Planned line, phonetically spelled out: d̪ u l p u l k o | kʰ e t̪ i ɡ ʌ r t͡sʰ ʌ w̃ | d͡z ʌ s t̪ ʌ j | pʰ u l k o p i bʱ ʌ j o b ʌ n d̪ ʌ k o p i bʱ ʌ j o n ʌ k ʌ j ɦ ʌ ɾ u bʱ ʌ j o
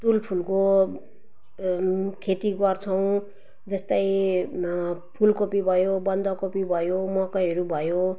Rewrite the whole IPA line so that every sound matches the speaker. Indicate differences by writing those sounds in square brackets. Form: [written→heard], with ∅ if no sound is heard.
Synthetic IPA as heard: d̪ u l [p→pʰ] u l k o | kʰ e t̪ i ɡ ʌ r t͡sʰ ʌ w̃ | d͡z ʌ s t̪ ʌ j | pʰ u l k o p i bʱ ʌ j o b ʌ n d̪ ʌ k o p i bʱ ʌ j o [n→m] ʌ k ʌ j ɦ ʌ ɾ u bʱ ʌ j o